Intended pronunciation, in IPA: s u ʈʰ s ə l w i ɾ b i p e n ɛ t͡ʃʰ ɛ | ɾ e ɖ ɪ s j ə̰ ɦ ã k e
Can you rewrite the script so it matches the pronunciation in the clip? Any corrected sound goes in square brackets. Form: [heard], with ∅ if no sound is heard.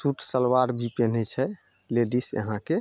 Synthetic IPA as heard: s u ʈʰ s ə l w [a] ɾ b i p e n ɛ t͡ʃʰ ɛ | [l] e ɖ [i] s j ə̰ ɦ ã k e